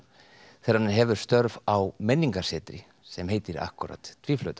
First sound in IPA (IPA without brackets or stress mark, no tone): θ